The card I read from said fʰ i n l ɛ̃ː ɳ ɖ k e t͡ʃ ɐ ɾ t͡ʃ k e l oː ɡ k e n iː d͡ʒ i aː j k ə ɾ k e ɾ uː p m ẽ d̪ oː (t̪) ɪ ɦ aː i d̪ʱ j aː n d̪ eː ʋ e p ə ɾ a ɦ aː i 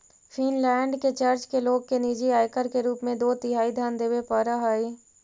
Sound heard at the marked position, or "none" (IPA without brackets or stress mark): t̪